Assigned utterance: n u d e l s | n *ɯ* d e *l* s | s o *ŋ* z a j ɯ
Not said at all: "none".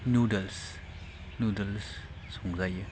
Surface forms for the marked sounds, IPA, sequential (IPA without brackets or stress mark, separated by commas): u, l, ŋ